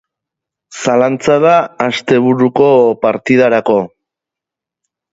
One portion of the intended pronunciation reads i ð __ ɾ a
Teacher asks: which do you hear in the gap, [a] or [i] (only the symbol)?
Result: a